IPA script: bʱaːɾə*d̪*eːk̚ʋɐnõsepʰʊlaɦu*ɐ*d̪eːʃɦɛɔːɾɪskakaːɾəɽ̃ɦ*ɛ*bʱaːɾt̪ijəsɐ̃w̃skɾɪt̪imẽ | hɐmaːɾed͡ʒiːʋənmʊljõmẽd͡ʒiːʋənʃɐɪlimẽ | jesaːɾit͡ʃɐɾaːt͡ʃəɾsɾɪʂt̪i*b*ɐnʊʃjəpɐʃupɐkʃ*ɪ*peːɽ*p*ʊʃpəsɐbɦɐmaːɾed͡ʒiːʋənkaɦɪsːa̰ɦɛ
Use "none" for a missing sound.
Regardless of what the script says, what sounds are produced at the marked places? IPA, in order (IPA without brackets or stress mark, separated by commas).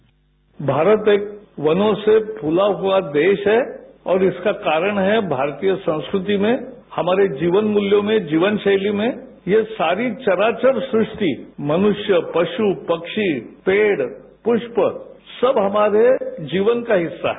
t̪, a, ɛ, m, i, p